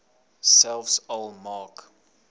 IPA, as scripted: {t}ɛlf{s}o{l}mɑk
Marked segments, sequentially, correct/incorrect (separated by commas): incorrect, correct, correct